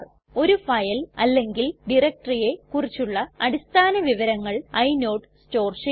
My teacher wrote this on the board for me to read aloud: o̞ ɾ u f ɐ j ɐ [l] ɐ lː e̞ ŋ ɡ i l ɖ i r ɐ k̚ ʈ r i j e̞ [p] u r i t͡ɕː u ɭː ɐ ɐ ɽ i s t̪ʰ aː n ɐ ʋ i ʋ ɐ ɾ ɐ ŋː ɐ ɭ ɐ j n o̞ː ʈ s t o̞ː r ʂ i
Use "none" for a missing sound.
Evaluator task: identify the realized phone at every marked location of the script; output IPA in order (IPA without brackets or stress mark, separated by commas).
l, k